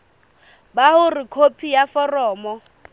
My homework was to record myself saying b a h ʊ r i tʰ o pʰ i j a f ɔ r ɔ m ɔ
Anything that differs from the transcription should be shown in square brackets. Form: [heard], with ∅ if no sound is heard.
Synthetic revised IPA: b a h ʊ r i [kʰ] o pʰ i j a f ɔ r [ɔː] m ɔ